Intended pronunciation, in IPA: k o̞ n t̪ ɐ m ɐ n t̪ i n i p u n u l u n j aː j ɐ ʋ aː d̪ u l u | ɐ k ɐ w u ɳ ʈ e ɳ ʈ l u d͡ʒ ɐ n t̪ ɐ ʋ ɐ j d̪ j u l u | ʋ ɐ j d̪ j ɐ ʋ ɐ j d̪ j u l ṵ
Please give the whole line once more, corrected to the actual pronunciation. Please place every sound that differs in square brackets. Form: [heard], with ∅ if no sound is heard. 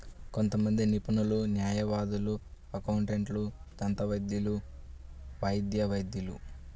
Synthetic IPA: k o̞ n t̪ ɐ m ɐ n [d̪] i n i p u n u l u n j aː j ɐ ʋ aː d̪ u l u | ɐ k ɐ w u ɳ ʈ e ɳ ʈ l u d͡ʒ ɐ n t̪ ɐ ʋ ɐ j d̪ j u l u | ʋ ɐ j d̪ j ɐ ʋ ɐ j d̪ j u l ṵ